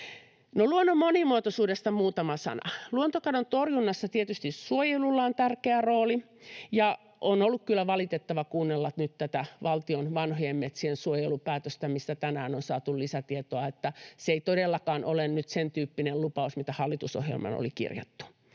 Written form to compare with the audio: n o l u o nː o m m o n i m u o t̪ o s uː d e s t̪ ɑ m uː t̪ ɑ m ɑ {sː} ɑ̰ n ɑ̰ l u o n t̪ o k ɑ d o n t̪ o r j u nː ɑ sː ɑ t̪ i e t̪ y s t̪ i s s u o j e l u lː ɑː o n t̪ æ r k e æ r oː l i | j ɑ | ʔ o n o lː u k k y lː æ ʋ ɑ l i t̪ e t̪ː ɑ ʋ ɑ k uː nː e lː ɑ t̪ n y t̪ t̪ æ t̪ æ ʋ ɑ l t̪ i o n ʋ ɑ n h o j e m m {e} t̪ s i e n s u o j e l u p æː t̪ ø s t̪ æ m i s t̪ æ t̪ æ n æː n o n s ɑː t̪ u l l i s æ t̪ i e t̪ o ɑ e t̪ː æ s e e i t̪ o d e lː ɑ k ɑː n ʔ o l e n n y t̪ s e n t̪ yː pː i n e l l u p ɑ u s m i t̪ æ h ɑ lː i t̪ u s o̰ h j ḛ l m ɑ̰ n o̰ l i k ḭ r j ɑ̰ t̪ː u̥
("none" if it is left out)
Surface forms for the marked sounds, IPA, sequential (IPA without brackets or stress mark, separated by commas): s, e